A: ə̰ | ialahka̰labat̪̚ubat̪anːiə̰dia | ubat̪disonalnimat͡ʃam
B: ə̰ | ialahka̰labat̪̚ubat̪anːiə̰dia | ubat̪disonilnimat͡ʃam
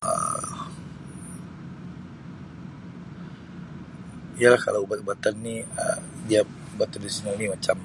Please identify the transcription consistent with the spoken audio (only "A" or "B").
A